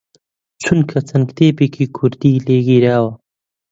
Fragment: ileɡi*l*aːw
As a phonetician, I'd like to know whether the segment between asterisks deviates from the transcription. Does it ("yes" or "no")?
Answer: yes